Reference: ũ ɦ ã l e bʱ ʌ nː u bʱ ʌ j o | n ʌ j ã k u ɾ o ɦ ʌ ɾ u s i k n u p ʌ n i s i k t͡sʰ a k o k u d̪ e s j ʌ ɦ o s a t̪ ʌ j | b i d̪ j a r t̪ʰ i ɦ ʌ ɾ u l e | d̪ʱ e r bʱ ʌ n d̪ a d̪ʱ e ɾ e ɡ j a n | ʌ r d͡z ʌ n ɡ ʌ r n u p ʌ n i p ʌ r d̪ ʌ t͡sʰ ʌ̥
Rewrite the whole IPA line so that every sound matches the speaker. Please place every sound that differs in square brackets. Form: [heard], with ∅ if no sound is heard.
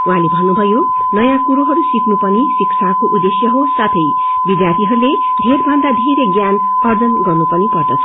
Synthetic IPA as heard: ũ ɦ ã l e bʱ ʌ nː u bʱ ʌ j o | n ʌ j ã k u ɾ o ɦ ʌ ɾ u s i k n u p ʌ n i s i k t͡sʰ a k o [ʔ] u d̪ e s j ʌ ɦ o s a [t̪ʰ] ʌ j | b i d̪ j a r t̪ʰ i ɦ ʌ ɾ u l e | d̪ʱ e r bʱ ʌ n d̪ a d̪ʱ e ɾ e ɡ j a n | ʌ r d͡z ʌ n ɡ ʌ r n u p ʌ n i p ʌ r d̪ ʌ t͡sʰ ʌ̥